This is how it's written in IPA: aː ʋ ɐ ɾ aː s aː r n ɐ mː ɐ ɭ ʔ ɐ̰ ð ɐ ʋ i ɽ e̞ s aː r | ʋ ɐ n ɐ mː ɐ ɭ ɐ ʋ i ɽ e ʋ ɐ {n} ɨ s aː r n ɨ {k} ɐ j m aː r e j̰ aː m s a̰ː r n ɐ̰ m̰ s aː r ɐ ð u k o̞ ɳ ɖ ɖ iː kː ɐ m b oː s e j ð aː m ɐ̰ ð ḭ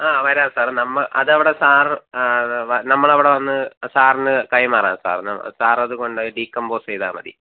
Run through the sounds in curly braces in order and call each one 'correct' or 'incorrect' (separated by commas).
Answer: incorrect, correct